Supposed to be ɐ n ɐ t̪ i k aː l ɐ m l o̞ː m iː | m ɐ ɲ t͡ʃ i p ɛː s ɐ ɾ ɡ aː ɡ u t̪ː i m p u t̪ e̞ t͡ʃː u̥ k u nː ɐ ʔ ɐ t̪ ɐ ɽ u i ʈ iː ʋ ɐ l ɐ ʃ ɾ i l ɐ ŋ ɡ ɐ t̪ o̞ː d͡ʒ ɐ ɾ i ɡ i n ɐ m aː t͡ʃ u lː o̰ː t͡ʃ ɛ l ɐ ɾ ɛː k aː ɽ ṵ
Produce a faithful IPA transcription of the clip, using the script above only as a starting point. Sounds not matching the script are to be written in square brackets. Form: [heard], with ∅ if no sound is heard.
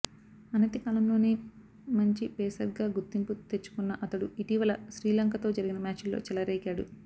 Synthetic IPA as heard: ɐ n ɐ t̪ i k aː l ɐ m l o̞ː [n] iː | m ɐ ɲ t͡ʃ i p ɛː s ɐ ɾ ɡ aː ɡ u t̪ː i m p u t̪ e̞ t͡ʃː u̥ k u nː ɐ ʔ ɐ t̪ ɐ ɽ u i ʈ iː ʋ ɐ l ɐ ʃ ɾ [iː] l ɐ ŋ [k] ɐ t̪ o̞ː d͡ʒ ɐ ɾ i ɡ i n ɐ m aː t͡ʃ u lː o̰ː t͡ʃ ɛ l ɐ ɾ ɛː k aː ɽ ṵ